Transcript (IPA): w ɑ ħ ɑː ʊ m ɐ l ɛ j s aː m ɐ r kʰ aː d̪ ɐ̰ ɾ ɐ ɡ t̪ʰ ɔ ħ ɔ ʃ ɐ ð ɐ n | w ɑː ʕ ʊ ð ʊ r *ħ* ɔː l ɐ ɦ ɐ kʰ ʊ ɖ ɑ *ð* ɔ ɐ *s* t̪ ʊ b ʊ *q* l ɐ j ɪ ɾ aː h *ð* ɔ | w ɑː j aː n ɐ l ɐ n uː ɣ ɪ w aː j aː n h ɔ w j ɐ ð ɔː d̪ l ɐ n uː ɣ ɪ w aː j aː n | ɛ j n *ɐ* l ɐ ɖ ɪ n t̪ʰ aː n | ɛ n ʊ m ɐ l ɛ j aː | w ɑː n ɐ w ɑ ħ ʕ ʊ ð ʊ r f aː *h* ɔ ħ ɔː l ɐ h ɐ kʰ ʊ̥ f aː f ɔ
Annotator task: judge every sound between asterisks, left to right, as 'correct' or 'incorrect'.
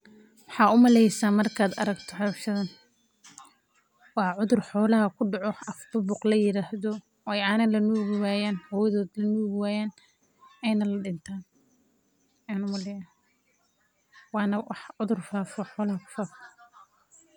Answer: correct, incorrect: ʕ, incorrect: f, correct, correct, correct, incorrect: f

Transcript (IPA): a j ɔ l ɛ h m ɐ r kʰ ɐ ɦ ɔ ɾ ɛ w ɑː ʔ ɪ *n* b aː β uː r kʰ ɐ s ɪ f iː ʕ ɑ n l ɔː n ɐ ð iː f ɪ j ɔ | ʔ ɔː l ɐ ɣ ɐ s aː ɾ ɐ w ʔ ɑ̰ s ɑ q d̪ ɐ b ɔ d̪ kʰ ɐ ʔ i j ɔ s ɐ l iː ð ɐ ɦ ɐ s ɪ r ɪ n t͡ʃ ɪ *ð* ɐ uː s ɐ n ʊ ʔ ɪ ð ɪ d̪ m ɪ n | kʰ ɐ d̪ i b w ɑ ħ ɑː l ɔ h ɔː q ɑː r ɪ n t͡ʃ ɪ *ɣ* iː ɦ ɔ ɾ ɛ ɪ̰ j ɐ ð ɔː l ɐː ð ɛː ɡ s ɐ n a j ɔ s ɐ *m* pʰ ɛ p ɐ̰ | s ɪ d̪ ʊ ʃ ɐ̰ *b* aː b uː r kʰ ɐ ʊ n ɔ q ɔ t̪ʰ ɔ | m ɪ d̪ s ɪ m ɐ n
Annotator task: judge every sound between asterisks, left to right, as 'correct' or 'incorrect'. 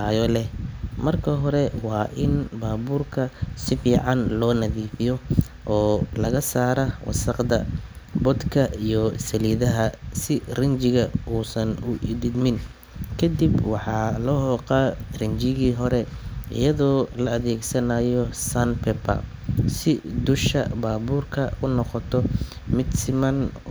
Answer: correct, incorrect: ɣ, correct, incorrect: n, correct

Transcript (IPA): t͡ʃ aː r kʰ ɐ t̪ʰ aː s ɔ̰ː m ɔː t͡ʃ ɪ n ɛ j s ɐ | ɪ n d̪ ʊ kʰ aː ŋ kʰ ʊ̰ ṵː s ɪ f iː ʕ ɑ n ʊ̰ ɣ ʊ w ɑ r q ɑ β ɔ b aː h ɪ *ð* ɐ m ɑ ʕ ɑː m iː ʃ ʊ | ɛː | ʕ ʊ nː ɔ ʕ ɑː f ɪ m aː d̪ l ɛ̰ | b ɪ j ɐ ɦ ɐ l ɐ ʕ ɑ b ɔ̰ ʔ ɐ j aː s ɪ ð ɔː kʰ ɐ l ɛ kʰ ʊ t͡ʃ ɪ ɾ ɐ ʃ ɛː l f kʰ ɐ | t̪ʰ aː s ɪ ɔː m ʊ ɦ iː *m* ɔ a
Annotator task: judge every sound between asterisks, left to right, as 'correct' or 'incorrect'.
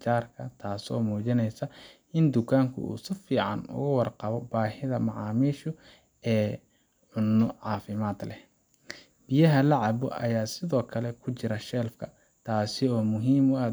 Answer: correct, correct

